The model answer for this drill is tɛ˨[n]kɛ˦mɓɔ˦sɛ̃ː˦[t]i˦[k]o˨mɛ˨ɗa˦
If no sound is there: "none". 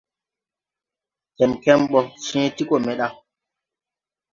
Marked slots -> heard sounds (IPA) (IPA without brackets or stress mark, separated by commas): m, t, k